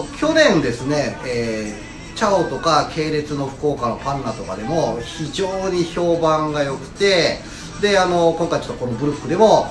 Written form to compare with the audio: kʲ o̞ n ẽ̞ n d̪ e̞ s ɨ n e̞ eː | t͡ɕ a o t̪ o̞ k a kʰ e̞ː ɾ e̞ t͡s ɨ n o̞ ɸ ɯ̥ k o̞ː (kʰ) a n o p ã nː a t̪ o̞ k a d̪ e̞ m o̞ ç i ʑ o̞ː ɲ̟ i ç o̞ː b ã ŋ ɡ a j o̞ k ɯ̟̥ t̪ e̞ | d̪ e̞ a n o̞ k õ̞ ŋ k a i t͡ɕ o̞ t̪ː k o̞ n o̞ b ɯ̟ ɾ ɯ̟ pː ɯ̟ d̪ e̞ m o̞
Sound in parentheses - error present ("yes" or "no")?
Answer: yes